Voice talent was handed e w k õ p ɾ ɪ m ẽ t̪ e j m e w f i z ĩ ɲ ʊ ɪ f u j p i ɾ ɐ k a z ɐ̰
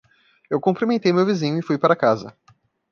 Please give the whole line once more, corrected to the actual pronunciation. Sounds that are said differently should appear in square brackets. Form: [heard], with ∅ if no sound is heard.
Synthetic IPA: e w k õ p ɾ [i] m ẽ t̪ e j m e w [v] i z ĩ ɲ ʊ ɪ f u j p [a] ɾ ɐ k a z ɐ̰